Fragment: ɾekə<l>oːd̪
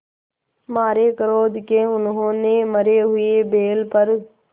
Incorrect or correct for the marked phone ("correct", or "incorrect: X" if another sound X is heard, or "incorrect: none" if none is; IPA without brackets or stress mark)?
incorrect: ɾ